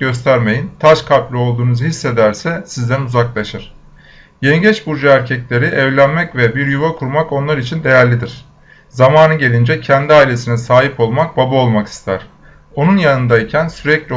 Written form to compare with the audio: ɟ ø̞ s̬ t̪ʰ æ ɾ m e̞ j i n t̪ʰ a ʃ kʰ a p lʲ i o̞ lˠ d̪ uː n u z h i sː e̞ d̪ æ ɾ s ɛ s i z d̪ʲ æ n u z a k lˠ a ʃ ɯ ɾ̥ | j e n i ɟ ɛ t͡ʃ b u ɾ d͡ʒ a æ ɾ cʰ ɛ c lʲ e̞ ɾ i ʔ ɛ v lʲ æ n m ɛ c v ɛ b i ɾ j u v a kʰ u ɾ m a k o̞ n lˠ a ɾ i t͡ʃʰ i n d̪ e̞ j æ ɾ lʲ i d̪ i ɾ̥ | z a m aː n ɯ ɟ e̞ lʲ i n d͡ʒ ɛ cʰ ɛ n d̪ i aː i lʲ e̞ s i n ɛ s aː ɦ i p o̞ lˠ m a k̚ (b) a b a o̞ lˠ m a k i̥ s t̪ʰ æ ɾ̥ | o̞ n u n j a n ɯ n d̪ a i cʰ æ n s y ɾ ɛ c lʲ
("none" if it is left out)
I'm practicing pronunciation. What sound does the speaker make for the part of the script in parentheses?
b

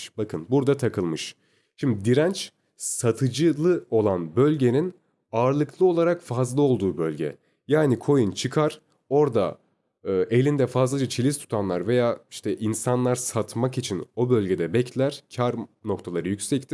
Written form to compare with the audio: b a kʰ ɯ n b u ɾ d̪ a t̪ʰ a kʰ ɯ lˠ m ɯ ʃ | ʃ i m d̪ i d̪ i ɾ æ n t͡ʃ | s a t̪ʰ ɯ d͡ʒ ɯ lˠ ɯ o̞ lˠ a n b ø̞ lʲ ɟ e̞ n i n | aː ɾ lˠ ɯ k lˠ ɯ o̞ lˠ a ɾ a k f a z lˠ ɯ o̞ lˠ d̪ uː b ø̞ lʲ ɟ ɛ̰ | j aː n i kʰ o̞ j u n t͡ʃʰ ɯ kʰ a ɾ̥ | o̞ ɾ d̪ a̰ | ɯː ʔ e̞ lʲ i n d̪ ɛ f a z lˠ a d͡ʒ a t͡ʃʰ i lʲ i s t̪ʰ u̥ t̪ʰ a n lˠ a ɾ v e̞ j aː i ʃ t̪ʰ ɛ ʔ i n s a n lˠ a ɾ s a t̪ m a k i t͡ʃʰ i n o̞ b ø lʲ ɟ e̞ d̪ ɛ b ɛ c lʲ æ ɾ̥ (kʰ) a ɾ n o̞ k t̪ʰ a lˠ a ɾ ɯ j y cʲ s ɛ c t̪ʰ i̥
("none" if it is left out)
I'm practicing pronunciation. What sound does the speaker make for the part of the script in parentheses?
cʰ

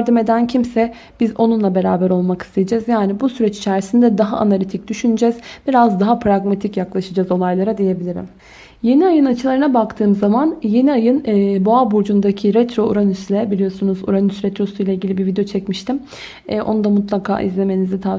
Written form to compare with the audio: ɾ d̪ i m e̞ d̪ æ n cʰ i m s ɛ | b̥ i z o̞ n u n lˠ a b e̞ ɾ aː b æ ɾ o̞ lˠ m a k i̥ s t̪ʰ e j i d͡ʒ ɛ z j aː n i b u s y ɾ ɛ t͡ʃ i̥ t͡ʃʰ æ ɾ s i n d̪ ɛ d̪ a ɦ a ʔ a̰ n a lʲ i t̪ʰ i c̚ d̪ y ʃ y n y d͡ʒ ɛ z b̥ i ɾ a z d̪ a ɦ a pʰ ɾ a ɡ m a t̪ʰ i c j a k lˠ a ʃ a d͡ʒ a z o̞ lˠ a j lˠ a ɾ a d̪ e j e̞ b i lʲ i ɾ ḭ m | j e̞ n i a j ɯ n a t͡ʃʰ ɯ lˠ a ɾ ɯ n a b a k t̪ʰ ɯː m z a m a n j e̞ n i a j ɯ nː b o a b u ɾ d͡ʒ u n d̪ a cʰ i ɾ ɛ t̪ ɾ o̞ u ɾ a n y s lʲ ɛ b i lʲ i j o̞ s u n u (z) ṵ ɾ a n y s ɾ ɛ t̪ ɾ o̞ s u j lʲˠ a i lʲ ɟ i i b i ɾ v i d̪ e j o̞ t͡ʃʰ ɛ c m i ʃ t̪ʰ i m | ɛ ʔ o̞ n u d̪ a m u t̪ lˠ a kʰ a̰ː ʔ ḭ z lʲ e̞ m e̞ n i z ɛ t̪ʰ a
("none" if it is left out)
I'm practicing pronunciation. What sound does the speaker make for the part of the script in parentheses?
z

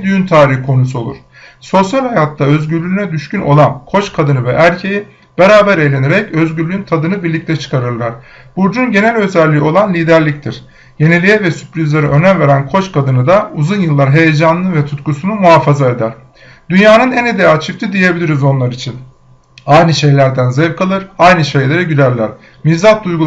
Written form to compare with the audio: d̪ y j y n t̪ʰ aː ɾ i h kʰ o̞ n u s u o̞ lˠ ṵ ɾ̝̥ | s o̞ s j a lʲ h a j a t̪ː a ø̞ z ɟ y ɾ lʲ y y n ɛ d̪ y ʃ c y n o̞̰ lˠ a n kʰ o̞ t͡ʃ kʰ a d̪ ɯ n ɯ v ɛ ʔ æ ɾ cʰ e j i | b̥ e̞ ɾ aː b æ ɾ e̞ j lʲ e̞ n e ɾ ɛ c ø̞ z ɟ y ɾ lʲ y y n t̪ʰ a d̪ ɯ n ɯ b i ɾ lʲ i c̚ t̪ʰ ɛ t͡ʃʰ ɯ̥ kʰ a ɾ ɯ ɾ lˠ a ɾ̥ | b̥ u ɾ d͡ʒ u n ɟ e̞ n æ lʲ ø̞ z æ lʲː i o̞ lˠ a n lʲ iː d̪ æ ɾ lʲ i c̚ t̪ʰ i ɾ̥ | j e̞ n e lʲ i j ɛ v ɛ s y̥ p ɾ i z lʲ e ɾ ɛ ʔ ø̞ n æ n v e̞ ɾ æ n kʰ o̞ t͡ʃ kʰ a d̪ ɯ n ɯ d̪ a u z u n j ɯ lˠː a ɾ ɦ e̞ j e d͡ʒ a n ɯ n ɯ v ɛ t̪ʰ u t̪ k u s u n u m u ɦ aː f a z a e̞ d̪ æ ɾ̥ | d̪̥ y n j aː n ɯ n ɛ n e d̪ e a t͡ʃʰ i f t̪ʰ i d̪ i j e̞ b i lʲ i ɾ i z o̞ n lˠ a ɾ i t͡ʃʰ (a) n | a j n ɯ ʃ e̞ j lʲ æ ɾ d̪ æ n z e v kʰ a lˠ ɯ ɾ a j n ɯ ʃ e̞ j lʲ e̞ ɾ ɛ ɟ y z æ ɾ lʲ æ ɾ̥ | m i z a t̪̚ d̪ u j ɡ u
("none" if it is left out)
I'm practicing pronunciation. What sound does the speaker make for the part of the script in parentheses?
i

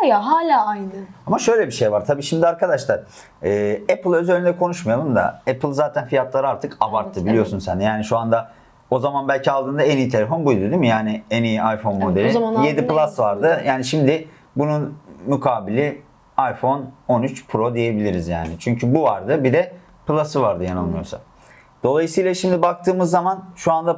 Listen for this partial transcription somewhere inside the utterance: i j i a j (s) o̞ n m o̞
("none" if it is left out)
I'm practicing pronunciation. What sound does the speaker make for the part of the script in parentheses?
f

